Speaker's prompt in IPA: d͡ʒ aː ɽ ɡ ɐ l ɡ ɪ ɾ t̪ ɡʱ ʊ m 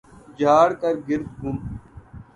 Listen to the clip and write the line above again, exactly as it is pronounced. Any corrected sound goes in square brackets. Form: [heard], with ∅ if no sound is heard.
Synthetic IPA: d͡ʒ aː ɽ [k] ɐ [ɾ] ɡ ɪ ɾ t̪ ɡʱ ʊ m